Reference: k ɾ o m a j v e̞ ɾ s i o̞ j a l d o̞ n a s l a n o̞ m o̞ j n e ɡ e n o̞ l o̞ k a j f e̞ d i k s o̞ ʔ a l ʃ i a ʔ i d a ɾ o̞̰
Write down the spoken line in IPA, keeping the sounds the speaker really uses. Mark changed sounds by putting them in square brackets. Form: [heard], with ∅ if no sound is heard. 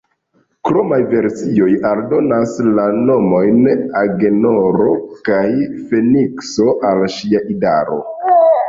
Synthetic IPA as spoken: k ɾ o m a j v e̞ ɾ s i o̞ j a l d o̞ n a s l a n o̞ m o̞ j n [a] ɡ e n o̞ [ɾ] o̞ k a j f e̞ [n] i k s o̞ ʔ a l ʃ i a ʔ i d a ɾ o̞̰